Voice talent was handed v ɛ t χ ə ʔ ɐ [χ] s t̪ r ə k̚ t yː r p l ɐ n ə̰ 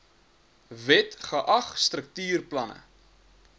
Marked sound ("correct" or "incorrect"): correct